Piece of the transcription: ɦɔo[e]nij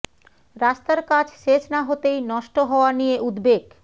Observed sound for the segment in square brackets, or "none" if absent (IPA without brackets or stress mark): a